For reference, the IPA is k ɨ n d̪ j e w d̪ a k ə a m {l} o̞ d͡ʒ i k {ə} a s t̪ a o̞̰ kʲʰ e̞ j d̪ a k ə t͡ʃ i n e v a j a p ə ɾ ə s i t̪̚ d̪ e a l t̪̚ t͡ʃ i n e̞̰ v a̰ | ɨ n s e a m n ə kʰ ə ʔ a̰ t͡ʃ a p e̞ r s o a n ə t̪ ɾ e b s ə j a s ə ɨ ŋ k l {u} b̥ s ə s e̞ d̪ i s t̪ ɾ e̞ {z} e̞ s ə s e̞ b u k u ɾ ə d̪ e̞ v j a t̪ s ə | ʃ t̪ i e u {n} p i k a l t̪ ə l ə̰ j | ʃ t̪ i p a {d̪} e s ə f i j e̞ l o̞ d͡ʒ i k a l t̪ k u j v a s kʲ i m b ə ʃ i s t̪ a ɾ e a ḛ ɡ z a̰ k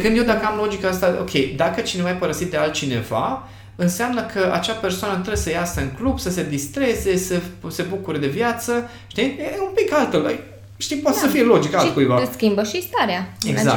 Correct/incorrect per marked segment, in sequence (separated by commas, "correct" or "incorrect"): correct, incorrect, correct, correct, incorrect, incorrect